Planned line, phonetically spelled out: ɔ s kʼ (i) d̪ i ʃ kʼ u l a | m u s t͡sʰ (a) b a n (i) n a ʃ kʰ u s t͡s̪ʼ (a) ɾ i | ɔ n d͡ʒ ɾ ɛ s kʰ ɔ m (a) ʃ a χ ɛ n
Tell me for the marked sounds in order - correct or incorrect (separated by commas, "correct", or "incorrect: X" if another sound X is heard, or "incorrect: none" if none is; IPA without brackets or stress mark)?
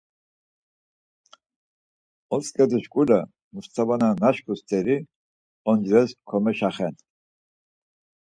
incorrect: ɛ, correct, incorrect: a, incorrect: ɛ, incorrect: ɛ